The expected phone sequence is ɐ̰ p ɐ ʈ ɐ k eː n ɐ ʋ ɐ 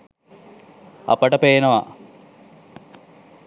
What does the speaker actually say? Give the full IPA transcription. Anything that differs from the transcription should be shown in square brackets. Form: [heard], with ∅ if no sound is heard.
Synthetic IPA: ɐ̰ p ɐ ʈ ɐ [p] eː n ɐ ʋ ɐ